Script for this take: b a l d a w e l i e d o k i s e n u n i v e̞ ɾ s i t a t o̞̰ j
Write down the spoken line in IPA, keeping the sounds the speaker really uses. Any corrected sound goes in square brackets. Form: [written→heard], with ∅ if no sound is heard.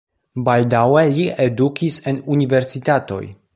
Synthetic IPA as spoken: b a l d a w e l i e d [o→u] k i s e n u n i v e̞ ɾ s i t a t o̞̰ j